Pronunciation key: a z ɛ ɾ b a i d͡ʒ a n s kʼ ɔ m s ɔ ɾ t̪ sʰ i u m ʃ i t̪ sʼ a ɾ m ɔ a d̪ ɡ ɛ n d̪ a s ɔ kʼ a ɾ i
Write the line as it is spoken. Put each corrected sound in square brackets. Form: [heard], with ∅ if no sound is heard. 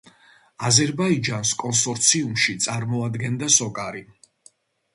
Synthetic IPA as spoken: a z ɛ ɾ b a i d͡ʒ a n s kʼ ɔ [n] s ɔ ɾ t̪ sʰ i u m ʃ i t̪ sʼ a ɾ m ɔ a d̪ ɡ ɛ n d̪ a s ɔ kʼ a ɾ i